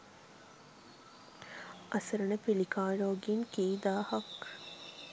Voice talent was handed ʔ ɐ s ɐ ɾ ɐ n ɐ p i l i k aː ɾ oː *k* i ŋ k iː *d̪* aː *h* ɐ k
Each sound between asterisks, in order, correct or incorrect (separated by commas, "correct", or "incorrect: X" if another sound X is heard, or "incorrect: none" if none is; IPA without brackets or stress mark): incorrect: ɡ, correct, correct